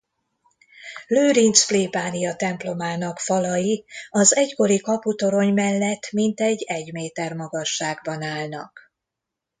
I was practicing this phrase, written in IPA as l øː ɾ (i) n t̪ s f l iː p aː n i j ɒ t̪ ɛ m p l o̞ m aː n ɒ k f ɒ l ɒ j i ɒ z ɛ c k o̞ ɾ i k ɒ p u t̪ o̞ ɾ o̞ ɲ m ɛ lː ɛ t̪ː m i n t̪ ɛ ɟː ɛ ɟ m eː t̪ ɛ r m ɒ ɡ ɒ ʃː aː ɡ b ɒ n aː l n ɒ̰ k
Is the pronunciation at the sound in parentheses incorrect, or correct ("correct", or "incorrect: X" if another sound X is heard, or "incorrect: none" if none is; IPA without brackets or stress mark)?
correct